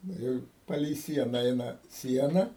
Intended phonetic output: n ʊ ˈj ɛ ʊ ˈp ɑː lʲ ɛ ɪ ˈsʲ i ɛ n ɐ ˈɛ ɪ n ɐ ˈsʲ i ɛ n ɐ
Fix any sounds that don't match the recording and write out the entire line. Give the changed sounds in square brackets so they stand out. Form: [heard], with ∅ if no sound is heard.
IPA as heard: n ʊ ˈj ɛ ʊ ˈp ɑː lʲ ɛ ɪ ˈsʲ i ɛ n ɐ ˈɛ ɪ n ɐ ˈsʲ i ɛ n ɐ